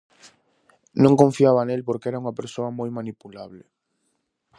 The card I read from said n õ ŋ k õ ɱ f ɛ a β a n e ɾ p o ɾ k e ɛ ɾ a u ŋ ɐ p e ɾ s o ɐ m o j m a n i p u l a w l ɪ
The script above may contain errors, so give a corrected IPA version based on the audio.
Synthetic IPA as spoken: n õ ŋ k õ ɱ f i a β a n e l p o ɾ k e ɛ ɾ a u ŋ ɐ p e ɾ s o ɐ m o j m a n i p u l a β l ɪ

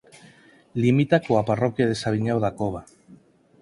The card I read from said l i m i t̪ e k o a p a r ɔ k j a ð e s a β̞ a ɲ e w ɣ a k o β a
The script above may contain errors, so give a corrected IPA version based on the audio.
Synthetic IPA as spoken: l i m i t̪ a k o a p a r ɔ k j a ð e s a β̞ i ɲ a w ð a k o β a

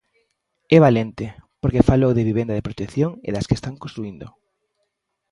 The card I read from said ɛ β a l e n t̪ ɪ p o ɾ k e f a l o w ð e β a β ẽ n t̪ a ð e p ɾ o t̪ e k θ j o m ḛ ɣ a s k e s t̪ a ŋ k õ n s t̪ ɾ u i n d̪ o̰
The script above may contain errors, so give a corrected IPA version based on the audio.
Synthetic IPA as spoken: ɛ β a l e n t̪ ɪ p o ɾ k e f a l o w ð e β i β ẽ n d̪ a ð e p ɾ o t̪ e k θ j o ŋ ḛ ð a s k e s t̪ a ŋ k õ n s t̪ ɾ u i n d̪ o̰

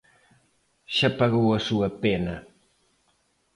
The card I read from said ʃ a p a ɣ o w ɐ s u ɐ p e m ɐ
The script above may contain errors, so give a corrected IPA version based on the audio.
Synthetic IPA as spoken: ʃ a p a ɣ o w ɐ s u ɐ p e n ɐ

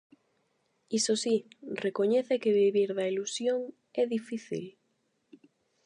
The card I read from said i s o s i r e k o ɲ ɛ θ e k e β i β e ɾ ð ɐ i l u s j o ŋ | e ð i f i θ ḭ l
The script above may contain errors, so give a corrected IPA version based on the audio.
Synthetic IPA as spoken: i s o s i r e k o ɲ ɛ θ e k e β i β i ɾ ð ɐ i l u s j o ŋ | ɛ ð i f i θ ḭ l

